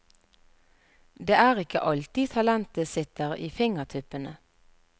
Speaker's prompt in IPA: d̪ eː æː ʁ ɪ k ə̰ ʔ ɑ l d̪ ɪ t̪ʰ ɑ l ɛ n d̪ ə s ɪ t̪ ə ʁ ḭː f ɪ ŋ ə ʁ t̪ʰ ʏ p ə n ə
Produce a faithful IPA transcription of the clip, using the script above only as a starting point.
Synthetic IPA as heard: d̪ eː æː ʁ ɪ k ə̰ ʔ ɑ l t̪ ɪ t̪ʰ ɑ l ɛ n t̪ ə s ɪ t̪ ə ʁ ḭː f ɪ ŋ ə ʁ t̪ʰ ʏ p ə n ə